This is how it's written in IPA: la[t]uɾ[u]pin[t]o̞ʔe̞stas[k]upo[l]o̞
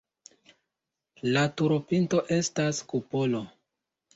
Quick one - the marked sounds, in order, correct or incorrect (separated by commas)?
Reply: correct, incorrect, correct, correct, correct